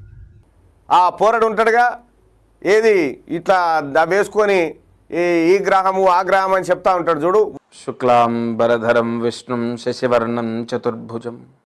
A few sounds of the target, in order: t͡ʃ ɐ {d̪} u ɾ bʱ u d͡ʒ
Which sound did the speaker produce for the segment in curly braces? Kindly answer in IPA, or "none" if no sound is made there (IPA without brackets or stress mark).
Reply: t̪